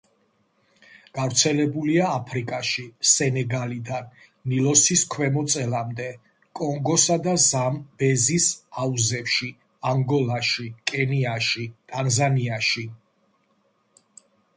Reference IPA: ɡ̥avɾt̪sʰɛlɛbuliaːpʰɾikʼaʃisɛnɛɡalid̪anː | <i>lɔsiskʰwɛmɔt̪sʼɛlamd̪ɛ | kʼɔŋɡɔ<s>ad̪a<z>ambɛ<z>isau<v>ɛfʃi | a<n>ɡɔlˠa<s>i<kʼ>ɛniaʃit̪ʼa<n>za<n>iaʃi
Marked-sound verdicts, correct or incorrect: correct, correct, correct, correct, incorrect, incorrect, incorrect, correct, correct, correct

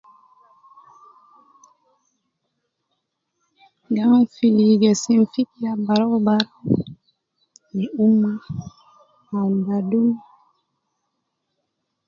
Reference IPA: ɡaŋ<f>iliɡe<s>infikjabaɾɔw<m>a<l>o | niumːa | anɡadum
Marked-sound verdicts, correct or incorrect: correct, correct, incorrect, incorrect

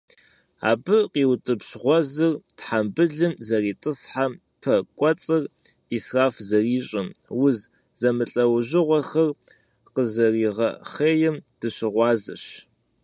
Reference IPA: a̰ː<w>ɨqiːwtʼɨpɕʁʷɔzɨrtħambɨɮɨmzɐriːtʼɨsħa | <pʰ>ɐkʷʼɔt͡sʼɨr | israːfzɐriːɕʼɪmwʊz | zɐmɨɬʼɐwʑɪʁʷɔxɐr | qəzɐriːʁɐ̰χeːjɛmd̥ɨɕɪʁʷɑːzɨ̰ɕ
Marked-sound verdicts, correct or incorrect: incorrect, correct

